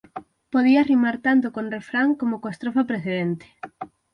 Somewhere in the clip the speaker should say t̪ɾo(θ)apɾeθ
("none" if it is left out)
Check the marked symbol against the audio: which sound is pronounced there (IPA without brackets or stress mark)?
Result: f